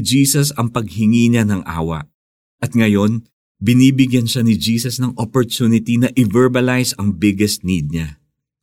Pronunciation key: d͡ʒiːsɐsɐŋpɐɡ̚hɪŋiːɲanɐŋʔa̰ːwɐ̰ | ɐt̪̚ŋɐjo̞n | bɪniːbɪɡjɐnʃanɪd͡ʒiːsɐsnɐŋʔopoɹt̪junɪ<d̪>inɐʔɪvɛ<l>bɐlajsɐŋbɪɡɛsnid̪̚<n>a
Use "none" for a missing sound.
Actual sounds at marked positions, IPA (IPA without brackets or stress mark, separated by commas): t̪, ɹ, ɲ